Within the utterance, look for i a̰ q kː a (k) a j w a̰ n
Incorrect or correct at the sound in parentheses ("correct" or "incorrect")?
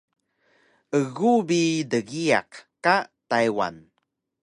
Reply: incorrect